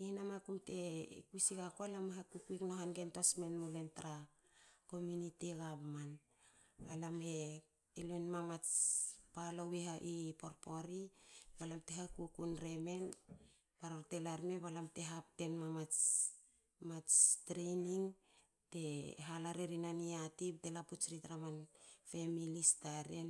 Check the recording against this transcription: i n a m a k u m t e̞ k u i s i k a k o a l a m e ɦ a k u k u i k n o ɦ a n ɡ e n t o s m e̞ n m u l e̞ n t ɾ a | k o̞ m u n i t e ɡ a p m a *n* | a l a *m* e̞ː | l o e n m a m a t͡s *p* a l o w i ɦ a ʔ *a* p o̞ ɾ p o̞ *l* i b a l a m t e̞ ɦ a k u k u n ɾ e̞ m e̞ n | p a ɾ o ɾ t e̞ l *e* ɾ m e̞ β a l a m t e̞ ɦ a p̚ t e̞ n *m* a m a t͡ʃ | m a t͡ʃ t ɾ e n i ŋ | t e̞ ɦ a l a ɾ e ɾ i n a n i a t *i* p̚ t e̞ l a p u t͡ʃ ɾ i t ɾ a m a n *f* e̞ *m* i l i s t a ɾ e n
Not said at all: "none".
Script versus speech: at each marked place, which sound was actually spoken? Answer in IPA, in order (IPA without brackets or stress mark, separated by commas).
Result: n, m, p, i, ɾ, a, m, i, f, m